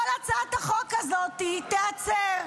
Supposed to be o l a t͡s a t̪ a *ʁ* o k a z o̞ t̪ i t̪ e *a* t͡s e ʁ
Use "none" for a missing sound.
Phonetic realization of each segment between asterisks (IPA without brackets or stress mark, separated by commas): χ, a